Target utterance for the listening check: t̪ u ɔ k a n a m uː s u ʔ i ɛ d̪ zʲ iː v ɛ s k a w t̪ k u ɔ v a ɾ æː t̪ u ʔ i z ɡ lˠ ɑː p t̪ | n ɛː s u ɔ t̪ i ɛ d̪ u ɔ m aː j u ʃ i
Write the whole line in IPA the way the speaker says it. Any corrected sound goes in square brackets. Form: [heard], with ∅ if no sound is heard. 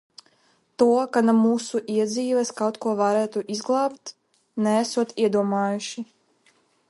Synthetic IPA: t̪ u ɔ k a n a m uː s u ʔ i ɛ d̪ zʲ iː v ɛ s k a w t̪ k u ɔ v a ɾ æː t̪ u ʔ i z ɡ lˠ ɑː p t̪ | n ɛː s u ɔ t̪ i ɛ d̪ u ɔ m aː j u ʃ i